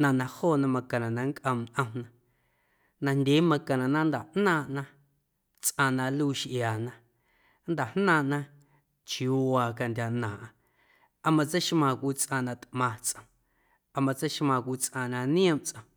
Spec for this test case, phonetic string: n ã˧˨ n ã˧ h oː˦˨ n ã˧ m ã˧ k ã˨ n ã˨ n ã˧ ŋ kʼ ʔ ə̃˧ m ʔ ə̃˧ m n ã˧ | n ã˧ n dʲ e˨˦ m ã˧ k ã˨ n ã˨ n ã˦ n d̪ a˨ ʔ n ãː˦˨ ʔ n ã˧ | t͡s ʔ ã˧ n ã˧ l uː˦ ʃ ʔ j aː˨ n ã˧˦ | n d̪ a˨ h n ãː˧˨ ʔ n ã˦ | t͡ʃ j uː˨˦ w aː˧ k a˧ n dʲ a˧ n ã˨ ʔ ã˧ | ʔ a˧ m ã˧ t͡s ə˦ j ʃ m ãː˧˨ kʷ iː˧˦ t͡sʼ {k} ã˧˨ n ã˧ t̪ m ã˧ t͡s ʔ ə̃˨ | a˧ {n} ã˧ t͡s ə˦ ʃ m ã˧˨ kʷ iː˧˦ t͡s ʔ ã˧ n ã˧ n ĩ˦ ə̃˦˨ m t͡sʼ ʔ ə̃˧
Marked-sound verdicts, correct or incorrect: incorrect, incorrect

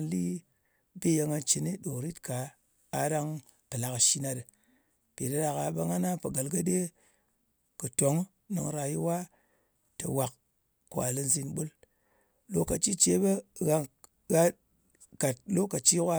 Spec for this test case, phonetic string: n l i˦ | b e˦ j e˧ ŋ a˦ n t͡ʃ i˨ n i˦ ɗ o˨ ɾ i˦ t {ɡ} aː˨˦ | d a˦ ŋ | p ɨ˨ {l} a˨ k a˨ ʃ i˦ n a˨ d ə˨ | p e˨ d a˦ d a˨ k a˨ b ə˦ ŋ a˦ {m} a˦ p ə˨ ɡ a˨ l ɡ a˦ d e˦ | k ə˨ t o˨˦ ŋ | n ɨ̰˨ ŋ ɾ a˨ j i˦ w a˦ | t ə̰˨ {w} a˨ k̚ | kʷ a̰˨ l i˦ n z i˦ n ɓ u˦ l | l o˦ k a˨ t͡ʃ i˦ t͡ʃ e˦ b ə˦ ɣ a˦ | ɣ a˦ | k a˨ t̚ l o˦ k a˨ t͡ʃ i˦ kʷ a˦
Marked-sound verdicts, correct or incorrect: incorrect, correct, incorrect, correct

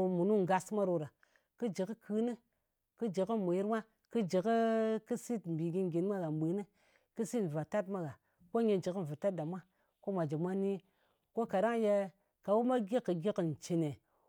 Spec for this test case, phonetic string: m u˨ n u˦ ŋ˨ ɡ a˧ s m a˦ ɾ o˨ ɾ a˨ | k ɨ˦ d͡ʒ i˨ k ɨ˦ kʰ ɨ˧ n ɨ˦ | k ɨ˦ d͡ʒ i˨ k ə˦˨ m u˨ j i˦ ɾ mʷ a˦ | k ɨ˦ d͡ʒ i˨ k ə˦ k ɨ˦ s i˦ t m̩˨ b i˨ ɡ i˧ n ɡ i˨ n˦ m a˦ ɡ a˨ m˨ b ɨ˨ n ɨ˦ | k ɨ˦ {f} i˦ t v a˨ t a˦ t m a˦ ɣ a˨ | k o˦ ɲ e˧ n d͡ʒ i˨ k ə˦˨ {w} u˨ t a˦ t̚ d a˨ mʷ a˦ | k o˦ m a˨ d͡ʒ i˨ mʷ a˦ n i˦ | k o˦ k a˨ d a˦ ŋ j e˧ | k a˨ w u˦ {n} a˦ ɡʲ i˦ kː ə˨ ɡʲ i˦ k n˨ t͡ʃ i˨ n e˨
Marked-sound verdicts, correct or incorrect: incorrect, incorrect, incorrect

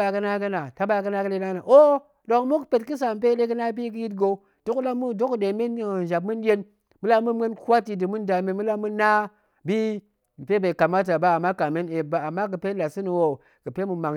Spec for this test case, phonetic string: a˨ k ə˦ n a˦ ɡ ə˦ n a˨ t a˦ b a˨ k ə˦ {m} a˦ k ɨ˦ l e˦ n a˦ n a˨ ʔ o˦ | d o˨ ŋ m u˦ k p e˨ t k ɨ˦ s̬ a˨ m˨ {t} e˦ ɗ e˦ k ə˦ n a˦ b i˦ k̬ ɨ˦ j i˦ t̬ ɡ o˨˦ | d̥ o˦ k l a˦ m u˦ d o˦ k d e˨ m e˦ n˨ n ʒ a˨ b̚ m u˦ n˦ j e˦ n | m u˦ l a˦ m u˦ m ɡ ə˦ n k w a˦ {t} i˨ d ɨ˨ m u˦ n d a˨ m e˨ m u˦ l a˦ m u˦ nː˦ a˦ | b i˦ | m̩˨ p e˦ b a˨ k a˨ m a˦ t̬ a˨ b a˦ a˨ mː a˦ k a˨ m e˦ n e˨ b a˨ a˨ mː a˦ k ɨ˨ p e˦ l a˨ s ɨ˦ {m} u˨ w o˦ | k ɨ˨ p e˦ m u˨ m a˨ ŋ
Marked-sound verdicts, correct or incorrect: incorrect, incorrect, correct, incorrect

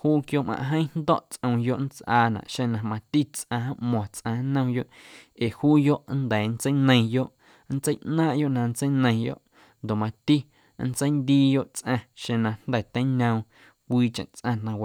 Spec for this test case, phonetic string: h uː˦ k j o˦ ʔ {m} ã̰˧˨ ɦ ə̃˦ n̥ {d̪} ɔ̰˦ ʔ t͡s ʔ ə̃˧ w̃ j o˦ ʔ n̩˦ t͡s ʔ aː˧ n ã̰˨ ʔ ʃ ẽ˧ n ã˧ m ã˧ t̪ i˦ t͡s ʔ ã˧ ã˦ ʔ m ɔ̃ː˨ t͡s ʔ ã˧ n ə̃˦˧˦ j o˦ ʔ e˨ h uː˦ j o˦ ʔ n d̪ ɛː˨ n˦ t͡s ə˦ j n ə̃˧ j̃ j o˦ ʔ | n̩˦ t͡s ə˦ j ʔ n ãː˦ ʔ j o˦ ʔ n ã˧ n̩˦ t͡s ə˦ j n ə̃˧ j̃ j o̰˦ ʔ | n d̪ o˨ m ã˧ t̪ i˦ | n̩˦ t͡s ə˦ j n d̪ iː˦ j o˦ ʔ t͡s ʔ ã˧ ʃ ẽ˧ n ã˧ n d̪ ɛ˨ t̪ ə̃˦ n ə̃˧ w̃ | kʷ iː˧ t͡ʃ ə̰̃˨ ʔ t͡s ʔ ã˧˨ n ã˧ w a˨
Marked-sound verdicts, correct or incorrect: correct, correct

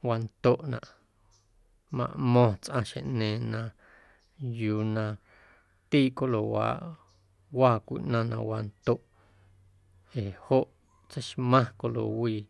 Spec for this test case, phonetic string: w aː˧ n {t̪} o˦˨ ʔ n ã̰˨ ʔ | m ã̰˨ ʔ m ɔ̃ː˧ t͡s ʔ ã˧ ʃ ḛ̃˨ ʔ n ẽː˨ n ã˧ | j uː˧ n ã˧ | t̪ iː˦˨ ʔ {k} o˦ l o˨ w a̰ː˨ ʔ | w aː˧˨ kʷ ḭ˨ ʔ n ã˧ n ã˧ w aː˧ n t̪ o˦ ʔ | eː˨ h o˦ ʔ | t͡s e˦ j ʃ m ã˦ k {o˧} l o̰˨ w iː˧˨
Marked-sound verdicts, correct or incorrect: correct, correct, correct

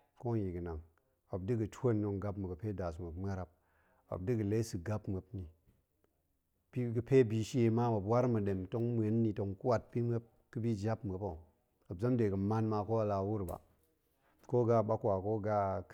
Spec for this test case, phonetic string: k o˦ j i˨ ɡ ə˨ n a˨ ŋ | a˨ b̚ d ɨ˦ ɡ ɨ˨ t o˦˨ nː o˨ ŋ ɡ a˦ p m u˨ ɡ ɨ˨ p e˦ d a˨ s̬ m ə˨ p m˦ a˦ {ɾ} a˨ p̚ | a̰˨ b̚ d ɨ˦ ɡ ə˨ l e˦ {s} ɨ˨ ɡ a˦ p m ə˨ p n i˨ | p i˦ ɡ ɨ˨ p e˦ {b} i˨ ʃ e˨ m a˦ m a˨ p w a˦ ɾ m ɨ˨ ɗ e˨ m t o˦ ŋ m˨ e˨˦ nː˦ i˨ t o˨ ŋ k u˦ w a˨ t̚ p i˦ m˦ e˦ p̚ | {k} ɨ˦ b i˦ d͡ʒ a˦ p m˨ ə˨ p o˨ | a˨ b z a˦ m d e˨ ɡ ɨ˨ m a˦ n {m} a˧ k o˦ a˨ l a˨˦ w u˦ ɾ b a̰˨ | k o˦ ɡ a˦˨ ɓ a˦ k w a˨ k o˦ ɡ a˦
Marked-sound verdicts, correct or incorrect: correct, correct, correct, correct, correct

